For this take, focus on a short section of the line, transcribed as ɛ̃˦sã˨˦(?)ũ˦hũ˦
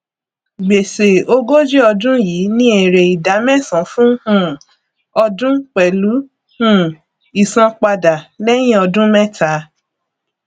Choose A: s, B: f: B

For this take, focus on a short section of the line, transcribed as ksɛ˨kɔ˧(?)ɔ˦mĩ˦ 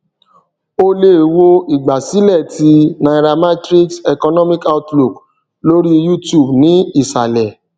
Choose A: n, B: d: A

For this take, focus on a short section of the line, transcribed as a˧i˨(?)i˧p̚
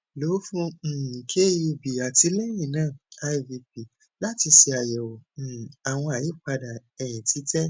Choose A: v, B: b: A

